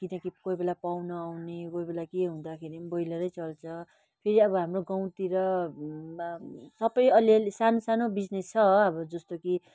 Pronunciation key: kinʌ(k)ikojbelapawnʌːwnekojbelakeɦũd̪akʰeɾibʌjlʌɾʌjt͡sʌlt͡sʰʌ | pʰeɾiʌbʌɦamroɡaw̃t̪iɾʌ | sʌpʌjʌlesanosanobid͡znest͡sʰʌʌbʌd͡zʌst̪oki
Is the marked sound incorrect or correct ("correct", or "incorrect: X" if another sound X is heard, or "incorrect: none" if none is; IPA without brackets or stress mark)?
correct